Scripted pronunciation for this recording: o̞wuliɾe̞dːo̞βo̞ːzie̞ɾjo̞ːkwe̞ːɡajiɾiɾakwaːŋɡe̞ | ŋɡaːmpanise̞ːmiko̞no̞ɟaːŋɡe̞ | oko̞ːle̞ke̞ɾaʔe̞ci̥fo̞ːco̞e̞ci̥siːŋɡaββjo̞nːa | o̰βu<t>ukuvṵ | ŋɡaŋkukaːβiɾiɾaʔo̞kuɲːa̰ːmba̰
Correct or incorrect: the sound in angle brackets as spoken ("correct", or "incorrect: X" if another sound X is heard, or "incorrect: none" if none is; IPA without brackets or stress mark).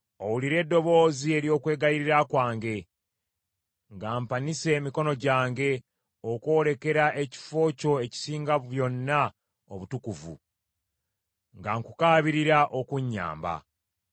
correct